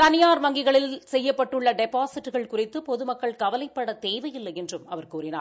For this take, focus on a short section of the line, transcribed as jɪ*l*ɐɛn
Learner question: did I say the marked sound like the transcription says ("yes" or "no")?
no